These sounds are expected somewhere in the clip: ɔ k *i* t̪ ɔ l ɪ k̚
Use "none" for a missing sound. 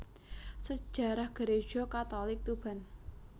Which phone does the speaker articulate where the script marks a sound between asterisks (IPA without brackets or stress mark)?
a